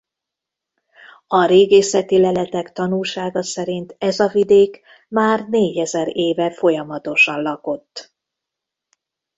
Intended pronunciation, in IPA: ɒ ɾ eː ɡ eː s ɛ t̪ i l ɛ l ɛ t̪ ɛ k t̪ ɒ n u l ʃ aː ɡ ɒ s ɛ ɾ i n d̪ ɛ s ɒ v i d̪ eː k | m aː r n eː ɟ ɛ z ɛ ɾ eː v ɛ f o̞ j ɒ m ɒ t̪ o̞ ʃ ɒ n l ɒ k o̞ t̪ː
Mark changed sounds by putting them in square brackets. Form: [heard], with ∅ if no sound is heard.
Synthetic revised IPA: ɒ ɾ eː ɡ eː s ɛ t̪ i l ɛ l ɛ t̪ ɛ k t̪ ɒ n u l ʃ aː ɡ ɒ s ɛ ɾ i n [t̪] ɛ [z] ɒ v i d̪ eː k | m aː r n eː ɟ ɛ z ɛ ɾ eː v ɛ f o̞ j ɒ m ɒ t̪ o̞ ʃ ɒ n l ɒ k o̞ t̪ː